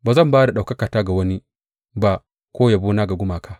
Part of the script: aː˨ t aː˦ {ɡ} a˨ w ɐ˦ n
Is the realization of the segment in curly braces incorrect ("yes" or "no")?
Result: no